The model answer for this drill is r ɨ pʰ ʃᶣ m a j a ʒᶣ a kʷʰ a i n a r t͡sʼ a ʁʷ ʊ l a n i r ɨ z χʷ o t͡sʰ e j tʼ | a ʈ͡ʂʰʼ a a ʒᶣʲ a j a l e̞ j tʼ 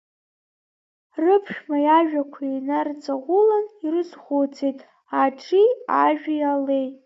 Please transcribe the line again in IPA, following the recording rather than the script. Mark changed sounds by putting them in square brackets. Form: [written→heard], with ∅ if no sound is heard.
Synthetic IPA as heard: r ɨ pʰ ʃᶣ m a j a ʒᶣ a kʷʰ a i n a r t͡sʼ a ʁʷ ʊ l a n i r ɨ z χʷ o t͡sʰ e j tʼ | a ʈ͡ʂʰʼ [a→i] a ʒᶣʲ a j a l e̞ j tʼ